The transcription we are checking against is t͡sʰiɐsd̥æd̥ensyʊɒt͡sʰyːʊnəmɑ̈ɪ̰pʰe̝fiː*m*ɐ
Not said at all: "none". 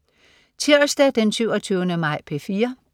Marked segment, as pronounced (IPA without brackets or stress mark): none